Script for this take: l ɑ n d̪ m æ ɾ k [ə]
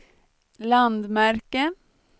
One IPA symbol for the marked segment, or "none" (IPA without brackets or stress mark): ə